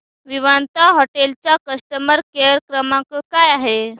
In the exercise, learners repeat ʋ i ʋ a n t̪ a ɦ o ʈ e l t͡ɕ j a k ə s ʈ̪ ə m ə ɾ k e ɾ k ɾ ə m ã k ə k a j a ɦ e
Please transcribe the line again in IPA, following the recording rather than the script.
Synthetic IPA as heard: ʋ i ʋ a n t̪ a ɦ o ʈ e l t͡ɕ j a k ə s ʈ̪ ə m ə ɾ k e ɾ k ɾ ə m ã k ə k a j a ɦ e